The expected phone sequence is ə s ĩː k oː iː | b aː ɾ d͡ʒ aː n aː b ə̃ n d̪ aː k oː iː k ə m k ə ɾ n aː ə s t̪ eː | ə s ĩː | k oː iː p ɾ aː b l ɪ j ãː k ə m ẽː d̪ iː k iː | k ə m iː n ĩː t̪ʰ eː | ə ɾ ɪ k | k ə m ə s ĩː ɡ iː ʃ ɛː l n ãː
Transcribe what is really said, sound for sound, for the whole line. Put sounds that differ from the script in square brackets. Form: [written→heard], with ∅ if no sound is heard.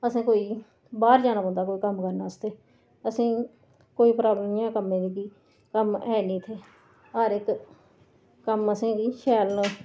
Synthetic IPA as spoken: ə s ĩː k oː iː | b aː ɾ d͡ʒ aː n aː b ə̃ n d̪ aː k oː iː k ə m k ə ɾ n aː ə s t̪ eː | ə s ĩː | k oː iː p ɾ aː b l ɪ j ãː k ə m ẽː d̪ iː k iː | k ə m [iː→ɛː] n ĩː t̪ʰ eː | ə ɾ ɪ k | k ə m ə s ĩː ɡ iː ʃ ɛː l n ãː